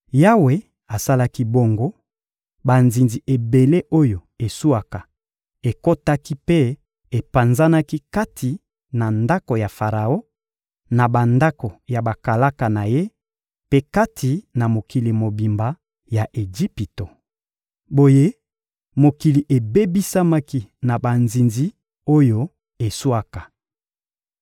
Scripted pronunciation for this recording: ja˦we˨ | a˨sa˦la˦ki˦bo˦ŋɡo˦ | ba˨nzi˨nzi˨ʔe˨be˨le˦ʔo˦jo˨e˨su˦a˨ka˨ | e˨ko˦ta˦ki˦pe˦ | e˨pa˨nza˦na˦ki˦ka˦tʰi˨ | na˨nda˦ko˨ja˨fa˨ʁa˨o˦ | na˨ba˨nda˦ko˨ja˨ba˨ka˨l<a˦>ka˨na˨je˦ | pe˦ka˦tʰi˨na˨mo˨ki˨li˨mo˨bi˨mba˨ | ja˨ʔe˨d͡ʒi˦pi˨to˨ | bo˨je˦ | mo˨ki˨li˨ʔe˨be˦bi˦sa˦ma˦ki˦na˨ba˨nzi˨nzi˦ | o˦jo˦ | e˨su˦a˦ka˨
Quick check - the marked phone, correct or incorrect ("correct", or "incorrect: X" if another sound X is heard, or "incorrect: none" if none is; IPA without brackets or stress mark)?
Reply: correct